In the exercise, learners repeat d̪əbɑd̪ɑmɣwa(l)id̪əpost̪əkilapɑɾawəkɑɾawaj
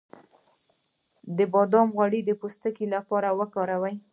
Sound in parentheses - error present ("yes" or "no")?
yes